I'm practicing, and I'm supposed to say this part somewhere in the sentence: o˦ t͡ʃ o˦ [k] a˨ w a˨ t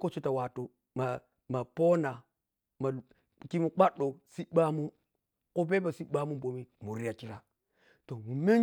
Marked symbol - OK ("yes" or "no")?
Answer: no